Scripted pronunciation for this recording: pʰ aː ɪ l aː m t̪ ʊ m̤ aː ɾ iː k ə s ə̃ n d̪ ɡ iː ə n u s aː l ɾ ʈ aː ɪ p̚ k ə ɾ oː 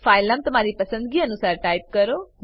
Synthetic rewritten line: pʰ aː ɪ l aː m t̪ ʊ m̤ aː ɾ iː p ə s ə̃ n d̪ ɡ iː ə n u s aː ɾ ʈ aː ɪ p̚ k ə ɾ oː